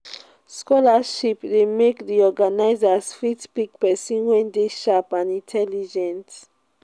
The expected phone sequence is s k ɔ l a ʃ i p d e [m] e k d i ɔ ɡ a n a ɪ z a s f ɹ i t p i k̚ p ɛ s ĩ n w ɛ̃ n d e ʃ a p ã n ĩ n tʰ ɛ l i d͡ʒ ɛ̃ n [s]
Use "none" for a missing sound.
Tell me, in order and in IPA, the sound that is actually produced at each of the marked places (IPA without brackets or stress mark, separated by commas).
m, t